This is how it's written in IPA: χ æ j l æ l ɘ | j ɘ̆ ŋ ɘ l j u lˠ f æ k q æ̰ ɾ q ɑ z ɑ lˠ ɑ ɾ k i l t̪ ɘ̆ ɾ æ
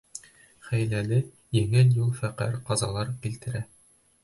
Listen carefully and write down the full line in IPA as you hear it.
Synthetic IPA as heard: χ æ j l æ l ɘ | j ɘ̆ ŋ ɘ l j u lˠ f æ q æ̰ ɾ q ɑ z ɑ lˠ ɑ ɾ k i l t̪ ɘ̆ ɾ æ